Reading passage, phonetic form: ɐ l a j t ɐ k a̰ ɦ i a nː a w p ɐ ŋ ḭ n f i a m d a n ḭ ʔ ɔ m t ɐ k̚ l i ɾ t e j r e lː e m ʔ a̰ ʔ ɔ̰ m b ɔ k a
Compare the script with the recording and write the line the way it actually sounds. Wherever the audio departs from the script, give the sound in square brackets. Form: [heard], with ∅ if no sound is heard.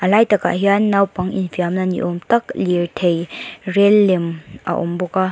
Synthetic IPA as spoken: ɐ l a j t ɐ k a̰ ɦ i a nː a w p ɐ ŋ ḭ n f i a m [n] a n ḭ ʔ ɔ m t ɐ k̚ l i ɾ [tʰ] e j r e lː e m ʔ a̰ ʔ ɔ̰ m b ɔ k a